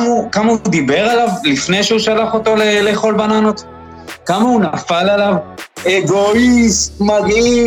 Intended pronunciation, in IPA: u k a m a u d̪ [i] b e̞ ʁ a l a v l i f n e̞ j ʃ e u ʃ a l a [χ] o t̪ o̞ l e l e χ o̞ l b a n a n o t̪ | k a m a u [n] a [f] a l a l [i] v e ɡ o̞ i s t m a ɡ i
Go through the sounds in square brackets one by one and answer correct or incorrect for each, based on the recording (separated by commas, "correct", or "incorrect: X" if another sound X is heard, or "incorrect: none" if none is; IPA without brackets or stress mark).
correct, correct, correct, correct, incorrect: a